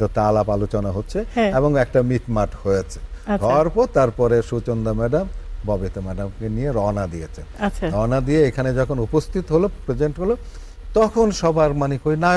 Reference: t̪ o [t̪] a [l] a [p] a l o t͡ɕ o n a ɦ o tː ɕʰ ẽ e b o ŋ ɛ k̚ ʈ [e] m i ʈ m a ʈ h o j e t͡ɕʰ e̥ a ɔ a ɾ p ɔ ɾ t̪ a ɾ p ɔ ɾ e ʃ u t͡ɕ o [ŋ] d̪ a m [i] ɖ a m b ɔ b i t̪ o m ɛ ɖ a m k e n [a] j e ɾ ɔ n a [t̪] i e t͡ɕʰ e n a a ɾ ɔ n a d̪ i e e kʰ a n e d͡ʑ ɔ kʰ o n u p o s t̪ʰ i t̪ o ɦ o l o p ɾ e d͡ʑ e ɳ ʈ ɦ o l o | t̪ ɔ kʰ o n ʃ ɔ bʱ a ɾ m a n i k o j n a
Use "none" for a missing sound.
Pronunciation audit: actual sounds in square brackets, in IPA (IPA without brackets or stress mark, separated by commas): t̪, l, p, a, n, ɛ, i, d̪